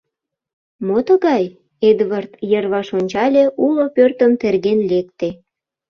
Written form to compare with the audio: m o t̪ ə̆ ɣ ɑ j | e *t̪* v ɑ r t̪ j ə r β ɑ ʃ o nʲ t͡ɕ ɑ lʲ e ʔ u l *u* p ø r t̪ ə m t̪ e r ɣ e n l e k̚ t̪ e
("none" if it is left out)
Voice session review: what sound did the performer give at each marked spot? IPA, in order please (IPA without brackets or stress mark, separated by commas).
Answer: d̪, o